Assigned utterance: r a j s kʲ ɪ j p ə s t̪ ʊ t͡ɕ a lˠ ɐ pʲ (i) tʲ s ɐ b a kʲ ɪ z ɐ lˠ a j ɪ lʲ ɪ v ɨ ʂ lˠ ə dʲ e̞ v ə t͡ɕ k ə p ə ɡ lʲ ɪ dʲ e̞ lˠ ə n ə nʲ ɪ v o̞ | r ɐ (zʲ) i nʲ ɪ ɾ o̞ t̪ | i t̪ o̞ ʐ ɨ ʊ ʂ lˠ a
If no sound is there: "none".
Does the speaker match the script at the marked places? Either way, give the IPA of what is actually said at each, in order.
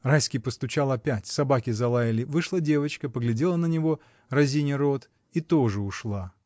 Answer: æ, zʲ

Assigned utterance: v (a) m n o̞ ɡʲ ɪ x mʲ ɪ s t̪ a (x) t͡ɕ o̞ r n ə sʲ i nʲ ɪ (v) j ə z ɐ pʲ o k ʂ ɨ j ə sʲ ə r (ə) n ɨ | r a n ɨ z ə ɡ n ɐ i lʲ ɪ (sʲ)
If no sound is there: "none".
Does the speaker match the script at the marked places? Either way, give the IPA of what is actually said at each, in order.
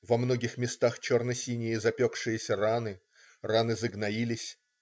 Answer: ɐ, x, none, a, sʲ

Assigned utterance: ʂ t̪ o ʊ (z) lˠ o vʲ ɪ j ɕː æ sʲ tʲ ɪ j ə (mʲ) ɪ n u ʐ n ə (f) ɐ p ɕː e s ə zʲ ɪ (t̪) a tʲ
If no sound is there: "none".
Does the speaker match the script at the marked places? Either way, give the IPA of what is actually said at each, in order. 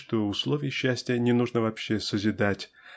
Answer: s, nʲ, v, d̪

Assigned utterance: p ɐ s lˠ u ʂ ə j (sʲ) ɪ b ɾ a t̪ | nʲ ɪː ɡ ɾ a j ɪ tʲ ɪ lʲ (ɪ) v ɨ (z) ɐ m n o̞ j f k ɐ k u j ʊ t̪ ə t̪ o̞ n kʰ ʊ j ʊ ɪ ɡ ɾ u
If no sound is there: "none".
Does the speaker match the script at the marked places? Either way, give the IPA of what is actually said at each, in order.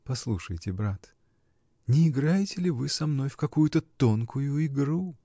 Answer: tʲ, ɪ, s

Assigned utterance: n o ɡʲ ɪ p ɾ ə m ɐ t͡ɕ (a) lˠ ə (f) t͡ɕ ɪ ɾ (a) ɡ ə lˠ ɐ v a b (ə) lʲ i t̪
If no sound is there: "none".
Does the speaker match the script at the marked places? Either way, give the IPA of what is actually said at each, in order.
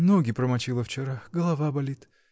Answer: i, f, a, ɐ

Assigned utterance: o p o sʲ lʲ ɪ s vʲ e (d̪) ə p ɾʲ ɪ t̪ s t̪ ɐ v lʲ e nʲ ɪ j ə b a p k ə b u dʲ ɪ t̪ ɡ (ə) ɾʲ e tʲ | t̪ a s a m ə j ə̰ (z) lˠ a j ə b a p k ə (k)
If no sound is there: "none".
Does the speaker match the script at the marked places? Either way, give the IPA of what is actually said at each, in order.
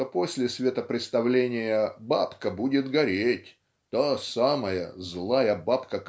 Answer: t̪, ɐ, z, k

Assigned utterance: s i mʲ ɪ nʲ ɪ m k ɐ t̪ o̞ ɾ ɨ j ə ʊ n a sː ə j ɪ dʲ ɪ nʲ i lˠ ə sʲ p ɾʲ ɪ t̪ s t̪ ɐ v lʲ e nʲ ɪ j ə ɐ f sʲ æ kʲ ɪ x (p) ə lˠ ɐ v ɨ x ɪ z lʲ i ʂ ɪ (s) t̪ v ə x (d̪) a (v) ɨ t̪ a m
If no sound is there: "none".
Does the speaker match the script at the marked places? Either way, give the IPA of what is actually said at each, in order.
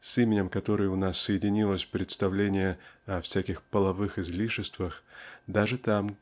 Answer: p, s, d̪, ʐ

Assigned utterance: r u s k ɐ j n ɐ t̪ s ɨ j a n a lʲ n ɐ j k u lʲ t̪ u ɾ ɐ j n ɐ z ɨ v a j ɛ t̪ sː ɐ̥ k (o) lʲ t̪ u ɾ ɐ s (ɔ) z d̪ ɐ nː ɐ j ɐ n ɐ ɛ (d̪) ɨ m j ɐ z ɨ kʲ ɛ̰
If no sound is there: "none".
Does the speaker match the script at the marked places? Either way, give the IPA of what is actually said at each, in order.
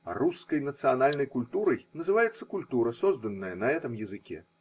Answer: u, ɔ, t̪

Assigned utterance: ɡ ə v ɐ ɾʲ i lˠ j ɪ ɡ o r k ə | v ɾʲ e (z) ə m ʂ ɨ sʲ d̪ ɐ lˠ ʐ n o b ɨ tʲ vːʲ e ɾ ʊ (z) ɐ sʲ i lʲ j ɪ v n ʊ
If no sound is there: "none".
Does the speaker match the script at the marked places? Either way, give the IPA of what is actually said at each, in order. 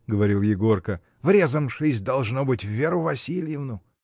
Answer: z, v

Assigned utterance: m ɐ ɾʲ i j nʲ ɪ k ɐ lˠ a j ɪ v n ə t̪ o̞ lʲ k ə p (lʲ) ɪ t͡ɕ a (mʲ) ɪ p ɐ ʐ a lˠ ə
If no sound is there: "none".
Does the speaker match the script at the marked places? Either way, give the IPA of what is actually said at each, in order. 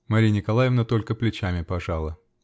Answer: lʲ, mʲ

